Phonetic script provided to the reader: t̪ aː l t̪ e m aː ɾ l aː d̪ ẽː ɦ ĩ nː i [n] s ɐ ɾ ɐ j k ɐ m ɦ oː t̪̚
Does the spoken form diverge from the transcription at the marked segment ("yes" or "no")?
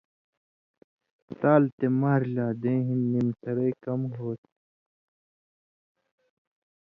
yes